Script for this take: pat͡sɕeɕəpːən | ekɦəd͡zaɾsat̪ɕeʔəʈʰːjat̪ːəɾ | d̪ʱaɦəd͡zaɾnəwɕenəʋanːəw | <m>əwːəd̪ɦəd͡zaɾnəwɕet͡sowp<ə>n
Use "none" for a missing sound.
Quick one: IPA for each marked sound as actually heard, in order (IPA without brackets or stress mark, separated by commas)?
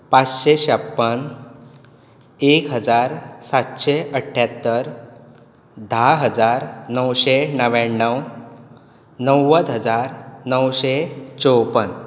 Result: n, ə